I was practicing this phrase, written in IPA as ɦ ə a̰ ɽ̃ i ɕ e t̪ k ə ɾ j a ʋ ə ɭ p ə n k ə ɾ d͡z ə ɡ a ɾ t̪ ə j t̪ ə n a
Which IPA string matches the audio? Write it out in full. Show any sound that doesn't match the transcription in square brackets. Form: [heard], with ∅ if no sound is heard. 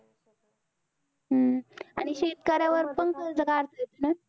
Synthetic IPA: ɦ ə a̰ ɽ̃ i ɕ e t̪ k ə ɾ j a ʋ ə [ɾ] p ə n k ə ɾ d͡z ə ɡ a ɾ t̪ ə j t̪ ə n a